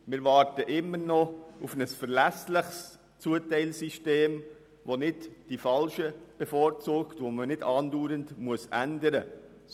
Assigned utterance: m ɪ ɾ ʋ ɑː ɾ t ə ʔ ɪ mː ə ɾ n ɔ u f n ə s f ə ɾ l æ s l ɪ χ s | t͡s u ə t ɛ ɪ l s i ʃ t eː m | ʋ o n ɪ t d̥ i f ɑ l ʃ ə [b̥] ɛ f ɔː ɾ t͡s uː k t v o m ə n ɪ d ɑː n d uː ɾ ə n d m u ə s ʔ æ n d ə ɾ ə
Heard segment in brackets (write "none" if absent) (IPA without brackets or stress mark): b̥